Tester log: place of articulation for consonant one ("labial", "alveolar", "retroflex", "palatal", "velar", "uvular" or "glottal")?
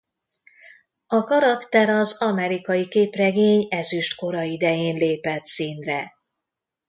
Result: velar